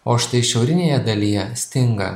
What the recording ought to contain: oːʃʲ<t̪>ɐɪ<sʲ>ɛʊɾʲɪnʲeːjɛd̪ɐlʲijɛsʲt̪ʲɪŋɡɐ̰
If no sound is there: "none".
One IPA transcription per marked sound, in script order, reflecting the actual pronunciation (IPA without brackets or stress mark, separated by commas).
t̪, ʃʲ